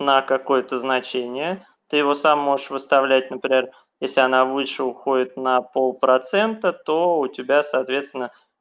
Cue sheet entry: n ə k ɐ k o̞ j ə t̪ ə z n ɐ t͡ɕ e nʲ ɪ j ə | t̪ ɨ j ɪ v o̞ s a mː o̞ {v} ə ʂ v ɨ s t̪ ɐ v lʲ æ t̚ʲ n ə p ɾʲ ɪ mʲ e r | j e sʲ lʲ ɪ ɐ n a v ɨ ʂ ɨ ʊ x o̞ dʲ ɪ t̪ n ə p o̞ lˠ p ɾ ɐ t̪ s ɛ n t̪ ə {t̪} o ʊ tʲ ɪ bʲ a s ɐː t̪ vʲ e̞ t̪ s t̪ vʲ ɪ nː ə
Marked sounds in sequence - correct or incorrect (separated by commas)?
incorrect, correct